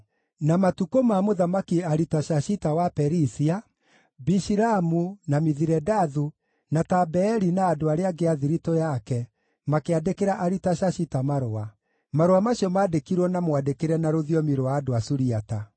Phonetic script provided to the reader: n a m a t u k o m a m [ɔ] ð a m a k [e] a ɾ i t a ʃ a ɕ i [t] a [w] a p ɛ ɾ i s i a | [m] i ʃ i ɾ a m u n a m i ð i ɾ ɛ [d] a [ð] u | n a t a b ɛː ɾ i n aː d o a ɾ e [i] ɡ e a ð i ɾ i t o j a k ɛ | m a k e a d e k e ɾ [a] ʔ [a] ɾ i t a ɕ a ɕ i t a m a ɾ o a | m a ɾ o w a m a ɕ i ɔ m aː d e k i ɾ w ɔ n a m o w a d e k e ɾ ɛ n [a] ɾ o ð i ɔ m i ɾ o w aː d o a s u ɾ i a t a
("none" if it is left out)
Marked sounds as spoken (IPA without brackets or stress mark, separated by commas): o, i, t, w, b, d, ð, a, a, a, a